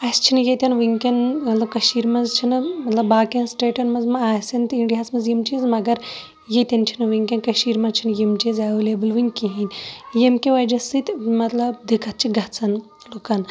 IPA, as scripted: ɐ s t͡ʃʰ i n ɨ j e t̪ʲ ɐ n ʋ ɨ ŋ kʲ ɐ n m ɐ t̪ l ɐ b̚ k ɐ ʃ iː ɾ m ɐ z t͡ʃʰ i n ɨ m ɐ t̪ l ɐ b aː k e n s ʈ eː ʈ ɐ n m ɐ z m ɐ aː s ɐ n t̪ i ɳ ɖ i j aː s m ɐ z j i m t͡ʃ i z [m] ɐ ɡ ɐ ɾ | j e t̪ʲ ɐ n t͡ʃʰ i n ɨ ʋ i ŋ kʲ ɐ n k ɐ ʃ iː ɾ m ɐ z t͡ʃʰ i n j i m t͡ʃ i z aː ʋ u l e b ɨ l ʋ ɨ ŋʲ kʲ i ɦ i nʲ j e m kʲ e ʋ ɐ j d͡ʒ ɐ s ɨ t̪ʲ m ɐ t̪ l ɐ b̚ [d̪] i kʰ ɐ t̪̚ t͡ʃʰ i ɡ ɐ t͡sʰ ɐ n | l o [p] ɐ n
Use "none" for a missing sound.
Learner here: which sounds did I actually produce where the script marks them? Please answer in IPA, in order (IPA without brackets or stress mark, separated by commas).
m, d̪, k